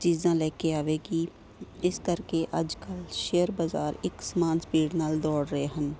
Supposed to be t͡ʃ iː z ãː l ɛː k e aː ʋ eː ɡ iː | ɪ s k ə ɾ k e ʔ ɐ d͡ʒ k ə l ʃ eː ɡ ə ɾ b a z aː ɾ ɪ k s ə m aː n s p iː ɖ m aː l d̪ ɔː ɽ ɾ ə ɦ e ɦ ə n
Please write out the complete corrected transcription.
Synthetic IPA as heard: t͡ʃ iː z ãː l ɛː k e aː ʋ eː ɡ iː | ɪ s k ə ɾ k e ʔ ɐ d͡ʒ k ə l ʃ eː ə ɾ b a z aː ɾ ɪ k s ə m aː n s p iː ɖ n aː l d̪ ɔː ɽ ɾ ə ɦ e ɦ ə n